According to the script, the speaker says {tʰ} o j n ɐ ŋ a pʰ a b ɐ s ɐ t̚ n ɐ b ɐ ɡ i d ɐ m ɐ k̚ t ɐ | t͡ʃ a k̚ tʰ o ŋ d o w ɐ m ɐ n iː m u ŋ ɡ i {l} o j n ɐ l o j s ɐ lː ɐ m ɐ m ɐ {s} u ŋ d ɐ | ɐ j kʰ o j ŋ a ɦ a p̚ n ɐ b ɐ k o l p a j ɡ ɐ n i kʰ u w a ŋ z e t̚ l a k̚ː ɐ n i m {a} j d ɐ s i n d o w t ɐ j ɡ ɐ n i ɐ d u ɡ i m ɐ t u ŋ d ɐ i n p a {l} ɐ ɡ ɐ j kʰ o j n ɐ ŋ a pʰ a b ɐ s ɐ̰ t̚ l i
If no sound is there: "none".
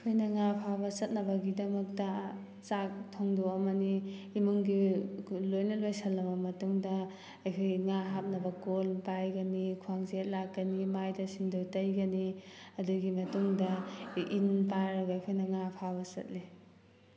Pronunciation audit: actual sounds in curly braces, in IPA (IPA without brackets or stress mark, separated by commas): kʰ, l, t, a, ɾ